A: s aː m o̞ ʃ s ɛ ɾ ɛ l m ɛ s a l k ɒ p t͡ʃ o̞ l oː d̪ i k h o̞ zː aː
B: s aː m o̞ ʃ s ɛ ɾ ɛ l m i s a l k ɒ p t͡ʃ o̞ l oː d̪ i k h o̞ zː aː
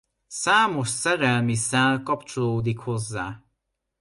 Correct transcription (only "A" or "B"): B